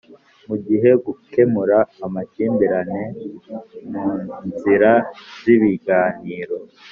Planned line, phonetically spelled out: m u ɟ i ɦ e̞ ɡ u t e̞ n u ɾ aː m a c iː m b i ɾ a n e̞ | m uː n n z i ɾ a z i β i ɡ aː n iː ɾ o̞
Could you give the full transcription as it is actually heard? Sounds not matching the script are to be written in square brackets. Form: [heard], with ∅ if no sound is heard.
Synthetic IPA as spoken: m u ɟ i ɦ e̞ ɡ u [k] e̞ [m] u ɾ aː m a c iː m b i ɾ a n e̞ | m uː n n z i ɾ a z i β i ɡ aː n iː ɾ o̞